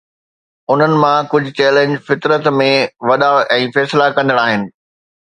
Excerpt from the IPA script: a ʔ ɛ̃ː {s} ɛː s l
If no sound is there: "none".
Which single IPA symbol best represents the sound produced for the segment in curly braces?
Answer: f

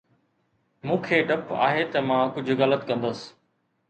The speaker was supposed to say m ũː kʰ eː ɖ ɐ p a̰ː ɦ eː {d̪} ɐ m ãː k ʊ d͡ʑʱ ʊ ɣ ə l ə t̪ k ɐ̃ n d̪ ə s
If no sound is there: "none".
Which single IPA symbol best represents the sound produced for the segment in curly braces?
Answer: t̪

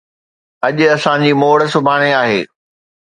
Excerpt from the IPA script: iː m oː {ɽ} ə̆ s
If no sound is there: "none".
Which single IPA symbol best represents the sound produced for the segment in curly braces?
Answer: ɽ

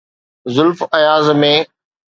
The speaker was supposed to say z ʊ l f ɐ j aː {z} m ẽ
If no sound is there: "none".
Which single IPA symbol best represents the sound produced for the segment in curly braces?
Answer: z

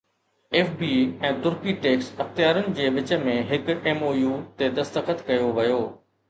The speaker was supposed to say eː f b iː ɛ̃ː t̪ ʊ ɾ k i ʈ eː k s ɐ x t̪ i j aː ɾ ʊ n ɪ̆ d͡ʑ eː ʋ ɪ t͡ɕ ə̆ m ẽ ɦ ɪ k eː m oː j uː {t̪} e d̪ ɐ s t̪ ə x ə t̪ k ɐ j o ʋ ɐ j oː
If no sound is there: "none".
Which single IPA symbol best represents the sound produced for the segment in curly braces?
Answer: t̪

